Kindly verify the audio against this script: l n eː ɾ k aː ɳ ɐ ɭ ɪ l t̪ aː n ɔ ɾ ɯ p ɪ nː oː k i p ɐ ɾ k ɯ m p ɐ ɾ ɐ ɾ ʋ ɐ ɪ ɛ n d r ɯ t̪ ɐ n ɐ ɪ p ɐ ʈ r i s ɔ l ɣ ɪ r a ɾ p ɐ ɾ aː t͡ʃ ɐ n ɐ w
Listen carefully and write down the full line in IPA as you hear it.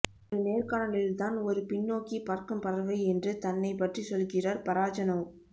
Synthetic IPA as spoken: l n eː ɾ k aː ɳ ɐ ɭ ɪ l t̪ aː n ɔ ɾ ɯ p ɪ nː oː k i p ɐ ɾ k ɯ m p ɐ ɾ ɐ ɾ ʋ ɐ ɪ ɛ n d r ɯ t̪ ɐ nː ɐ ɪ p ɐ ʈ r i s ɔ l ɣ ɪ r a ɾ p ɐ ɾ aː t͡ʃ ɐ n ɐ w

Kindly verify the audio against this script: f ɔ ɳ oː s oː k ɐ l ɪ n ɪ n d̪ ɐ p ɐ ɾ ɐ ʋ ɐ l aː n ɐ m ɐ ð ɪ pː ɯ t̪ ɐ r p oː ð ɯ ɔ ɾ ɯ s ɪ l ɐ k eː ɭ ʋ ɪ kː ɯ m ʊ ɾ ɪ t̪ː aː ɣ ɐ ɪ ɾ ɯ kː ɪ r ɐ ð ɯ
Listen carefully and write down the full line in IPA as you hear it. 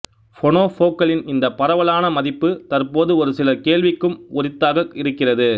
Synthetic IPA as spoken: f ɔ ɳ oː f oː k ɐ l ɪ n ɪ n d̪ ɐ p ɐ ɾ ɐ ʋ ɐ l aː n ɐ m ɐ ð ɪ pː ɯ t̪ ɐ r p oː ð ɯ ɔ ɾ ɯ s ɪ l ɐ k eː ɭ ʋ ɪ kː ɯ m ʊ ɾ ɪ t̪ː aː ɣ ɐ ɪ ɾ ɯ kː ɪ r ɐ ð ɯ

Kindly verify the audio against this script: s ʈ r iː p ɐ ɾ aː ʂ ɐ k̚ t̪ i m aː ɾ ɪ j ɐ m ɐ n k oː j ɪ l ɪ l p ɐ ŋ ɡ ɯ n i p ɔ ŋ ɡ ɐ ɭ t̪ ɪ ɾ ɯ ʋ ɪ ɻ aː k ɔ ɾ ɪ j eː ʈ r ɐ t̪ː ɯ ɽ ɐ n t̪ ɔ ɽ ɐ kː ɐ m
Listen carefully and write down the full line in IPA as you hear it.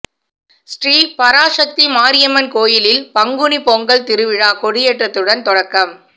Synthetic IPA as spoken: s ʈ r iː p ɐ ɾ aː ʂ ɐ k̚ t̪ i m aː ɾ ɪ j ɐ m ɐ n k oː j ɪ l ɪ l p ɐ ŋ ɡ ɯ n i p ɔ ŋ ɡ ɐ ɭ t̪ ɪ ɾ ɯ ʋ ɪ ɻ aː k ɔ ɽ ɪ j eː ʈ r ɐ t̪ː ɯ ɽ ɐ n t̪ ɔ ɽ ɐ kː ɐ m

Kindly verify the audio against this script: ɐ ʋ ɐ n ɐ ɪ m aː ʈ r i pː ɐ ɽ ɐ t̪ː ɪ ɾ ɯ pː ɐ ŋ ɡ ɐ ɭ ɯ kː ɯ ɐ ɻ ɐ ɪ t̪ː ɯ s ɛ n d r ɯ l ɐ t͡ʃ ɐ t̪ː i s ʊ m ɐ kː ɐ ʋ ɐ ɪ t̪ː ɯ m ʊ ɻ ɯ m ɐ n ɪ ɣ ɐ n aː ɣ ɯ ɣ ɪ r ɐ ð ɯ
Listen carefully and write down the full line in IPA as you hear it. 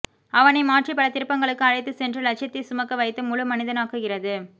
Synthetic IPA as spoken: ɐ ʋ ɐ n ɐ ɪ m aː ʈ r i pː ɐ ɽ ɐ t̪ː ɪ ɾ ɯ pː ɐ ŋ ɡ ɐ ɭ ɯ kː ɯ ɐ ɻ ɐ ɪ t̪ː ɯ s ɛ n d r ɯ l ɐ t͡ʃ ɐ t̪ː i s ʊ m ɐ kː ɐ ʋ ɐ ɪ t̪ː ɯ m ʊ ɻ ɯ m ɐ n ɪ ð ɐ n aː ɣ ɯ ɣ ɪ r ɐ ð ɯ

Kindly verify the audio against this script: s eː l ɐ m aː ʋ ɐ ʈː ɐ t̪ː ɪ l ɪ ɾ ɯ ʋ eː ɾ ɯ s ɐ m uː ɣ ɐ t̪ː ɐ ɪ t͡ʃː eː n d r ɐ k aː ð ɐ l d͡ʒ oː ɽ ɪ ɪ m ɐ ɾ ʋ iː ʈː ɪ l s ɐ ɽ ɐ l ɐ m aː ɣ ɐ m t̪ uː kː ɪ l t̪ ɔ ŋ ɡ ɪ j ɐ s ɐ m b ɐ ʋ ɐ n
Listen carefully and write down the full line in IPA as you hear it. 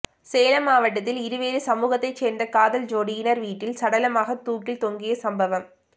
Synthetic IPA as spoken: s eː l ɐ m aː ʋ ɐ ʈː ɐ t̪ː ɪ l ɪ ɾ ɯ ʋ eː ɾ ɯ s ɐ m uː ɣ ɐ t̪ː ɐ ɪ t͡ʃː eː n d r ɐ k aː ð ɐ l d͡ʒ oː ɽ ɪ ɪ n ɐ ɾ ʋ iː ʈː ɪ l s ɐ ɽ ɐ l ɐ m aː ɣ ɐ t̪ uː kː ɪ l t̪ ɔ ŋ ɡ ɪ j ɐ s ɐ m b ɐ ʋ ɐ m

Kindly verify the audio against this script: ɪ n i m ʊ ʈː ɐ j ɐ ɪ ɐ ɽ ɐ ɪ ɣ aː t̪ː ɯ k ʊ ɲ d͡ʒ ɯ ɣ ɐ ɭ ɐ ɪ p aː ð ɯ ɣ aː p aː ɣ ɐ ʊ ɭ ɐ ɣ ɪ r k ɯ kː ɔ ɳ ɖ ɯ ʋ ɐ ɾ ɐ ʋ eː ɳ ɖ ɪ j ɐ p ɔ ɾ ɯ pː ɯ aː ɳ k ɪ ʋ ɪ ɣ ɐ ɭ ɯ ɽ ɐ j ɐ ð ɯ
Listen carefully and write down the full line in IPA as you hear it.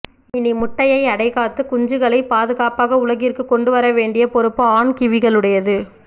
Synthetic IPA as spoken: ɪ n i m ʊ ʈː ɐ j ɐ ɪ ɐ ɽ ɐ ɪ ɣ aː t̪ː ɯ k ʊ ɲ d͡ʒ ɯ ɣ ɐ ɭ ɐ ɪ p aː ð ɯ ɣ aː p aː ɣ ɐ ʊ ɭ ɐ ɣ ɪ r k ɯ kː ɔ ɳ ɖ ɯ ʋ ɐ ɾ ɐ ʋ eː ɳ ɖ ɪ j ɐ p ɔ ɾ ɯ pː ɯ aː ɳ k ɪ ʋ ɪ ɣ ɐ ɭ ɯ ɽ ɐ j ɐ ð ɯ

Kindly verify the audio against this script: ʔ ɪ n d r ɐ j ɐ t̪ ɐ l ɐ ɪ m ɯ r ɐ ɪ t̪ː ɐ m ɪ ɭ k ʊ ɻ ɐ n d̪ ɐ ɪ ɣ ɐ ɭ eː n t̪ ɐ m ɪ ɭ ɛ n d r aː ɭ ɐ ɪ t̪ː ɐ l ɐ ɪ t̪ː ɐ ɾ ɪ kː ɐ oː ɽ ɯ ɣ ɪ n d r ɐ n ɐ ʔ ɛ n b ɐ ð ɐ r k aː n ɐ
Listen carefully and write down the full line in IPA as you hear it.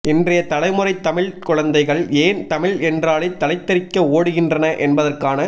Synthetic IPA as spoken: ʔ ɪ n d r ɐ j ɐ t̪ ɐ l ɐ ɪ m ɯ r ɐ ɪ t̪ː ɐ m ɪ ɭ k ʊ ɻ ɐ n d̪ ɐ ɪ ɣ ɐ ɭ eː n t̪ ɐ m ɪ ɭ ɛ n d r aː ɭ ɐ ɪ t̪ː ɐ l ɐ ɪ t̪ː ɐ ɾ ɪ kː ɐ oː ɽ ɯ ɣ ɪ n d r ɐ n ɐ ʔ ɛ n b ɐ ð ɐ r k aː n ɐ

